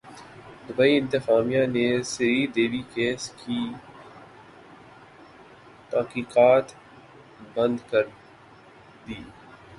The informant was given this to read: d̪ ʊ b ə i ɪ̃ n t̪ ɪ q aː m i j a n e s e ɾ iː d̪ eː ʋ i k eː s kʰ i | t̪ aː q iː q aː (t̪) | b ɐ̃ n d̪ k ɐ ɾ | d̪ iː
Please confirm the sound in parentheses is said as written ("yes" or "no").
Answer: yes